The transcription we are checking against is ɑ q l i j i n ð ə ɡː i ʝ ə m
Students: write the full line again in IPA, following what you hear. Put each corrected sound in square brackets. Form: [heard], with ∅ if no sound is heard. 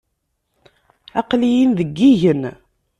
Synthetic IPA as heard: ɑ q l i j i n ð ə ɡː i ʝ ə [n]